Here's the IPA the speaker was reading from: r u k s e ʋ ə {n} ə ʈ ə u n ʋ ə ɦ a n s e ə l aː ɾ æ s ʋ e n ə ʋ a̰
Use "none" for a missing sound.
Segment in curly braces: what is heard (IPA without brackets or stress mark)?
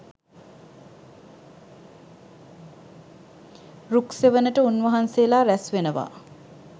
n